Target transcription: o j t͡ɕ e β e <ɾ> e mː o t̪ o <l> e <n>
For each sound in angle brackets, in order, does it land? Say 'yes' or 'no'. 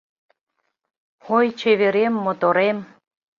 yes, no, no

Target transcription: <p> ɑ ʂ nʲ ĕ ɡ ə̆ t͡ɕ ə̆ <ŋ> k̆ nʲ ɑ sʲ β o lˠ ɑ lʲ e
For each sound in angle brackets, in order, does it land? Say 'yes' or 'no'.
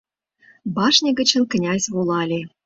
no, no

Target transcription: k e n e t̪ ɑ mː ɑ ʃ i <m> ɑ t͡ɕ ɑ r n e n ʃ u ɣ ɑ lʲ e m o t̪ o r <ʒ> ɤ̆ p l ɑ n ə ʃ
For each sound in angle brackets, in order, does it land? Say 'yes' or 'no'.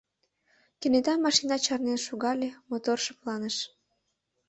no, no

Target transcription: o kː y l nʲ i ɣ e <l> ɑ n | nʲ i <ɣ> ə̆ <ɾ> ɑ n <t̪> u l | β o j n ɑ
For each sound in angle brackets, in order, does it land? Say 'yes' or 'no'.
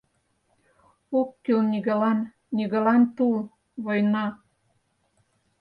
yes, yes, no, yes

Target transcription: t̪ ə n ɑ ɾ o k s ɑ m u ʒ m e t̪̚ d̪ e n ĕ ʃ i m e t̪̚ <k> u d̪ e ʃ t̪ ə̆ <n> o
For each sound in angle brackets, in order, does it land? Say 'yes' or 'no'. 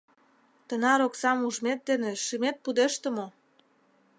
no, no

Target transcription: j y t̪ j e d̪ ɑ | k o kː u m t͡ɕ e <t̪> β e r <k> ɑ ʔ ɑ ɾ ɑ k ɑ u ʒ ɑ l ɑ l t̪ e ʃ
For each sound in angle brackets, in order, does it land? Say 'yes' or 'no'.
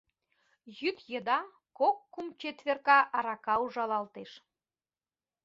yes, yes

